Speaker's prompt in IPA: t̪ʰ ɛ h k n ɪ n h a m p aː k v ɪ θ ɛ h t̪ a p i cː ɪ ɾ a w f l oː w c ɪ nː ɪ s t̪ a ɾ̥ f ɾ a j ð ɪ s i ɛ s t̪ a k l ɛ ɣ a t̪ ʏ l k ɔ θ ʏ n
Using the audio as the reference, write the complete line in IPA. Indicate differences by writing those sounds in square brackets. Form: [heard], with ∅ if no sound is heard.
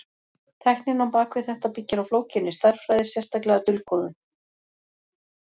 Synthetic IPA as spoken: t̪ʰ ɛ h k n ɪ n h a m p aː k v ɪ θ ɛ h t̪ a p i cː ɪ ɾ a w f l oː w c ɪ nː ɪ s t̪ a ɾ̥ f ɾ a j ð ɪ s [j] ɛ s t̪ a k l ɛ ɣ a t̪ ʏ l k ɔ [ð] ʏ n